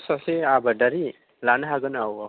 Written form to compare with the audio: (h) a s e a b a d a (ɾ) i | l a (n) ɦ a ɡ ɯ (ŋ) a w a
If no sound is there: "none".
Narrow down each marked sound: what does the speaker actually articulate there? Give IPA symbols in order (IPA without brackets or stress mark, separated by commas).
s, ɾ, n, n